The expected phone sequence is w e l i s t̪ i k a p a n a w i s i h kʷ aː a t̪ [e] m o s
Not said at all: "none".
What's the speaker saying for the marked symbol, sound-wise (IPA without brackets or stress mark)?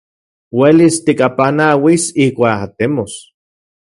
e